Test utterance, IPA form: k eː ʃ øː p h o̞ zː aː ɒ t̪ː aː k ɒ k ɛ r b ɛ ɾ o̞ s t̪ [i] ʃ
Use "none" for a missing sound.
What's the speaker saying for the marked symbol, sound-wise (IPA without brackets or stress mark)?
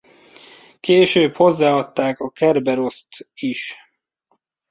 i